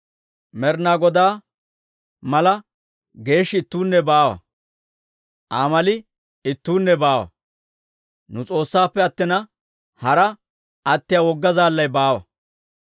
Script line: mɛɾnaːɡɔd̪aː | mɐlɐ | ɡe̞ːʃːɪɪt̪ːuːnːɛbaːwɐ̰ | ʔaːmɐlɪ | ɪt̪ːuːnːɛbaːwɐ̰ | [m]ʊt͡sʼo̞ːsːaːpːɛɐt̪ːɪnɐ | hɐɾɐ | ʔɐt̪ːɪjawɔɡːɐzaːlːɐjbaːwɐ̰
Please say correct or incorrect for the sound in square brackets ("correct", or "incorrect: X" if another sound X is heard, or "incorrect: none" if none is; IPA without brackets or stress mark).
incorrect: n